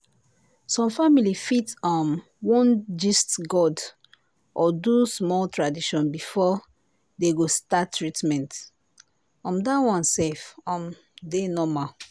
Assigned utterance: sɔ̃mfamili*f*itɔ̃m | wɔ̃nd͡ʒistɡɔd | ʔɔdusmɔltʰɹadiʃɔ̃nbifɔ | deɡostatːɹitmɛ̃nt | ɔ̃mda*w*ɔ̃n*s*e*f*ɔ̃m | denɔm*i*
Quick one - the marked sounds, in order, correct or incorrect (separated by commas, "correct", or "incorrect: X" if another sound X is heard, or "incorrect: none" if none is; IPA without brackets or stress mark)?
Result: correct, correct, correct, correct, incorrect: a